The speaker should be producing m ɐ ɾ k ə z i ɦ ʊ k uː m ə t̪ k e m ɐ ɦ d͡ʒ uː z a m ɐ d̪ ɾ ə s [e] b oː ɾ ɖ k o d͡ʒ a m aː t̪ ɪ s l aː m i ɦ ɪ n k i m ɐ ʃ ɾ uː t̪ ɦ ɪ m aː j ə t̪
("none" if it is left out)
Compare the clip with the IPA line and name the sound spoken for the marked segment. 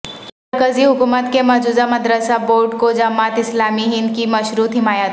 a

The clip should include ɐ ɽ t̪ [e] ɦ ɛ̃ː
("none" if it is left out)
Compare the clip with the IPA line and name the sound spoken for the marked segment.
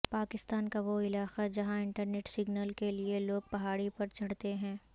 e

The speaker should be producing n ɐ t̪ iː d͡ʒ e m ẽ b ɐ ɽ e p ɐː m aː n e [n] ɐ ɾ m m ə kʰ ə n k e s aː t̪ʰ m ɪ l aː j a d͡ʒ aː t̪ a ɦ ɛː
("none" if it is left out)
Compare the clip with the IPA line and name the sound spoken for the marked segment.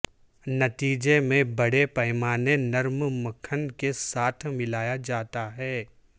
n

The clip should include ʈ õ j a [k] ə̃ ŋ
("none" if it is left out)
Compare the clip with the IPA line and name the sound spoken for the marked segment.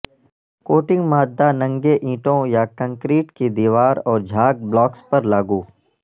k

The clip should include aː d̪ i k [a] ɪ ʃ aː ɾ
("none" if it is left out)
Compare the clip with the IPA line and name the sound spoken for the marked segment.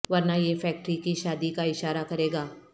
a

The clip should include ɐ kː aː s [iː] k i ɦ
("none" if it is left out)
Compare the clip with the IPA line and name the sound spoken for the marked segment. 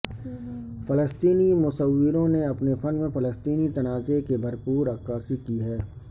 i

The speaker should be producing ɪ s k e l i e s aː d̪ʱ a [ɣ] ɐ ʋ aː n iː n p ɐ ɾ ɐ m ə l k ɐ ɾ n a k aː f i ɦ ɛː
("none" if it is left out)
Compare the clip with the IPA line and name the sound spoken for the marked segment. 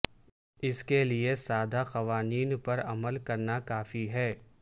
x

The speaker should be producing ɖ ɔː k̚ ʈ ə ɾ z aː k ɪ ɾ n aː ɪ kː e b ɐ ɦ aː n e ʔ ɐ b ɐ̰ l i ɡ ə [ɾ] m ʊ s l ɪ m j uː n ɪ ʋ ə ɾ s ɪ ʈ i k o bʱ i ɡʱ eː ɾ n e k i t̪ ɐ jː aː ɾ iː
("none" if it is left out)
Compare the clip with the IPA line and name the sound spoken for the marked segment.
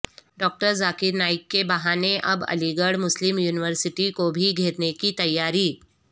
ɽ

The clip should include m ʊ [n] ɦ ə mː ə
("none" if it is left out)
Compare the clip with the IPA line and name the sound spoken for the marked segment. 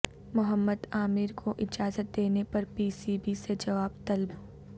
none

